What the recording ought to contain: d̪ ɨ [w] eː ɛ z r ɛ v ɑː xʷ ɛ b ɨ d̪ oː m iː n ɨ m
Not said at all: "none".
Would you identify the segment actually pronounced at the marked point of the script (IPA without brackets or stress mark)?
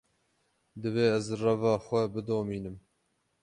v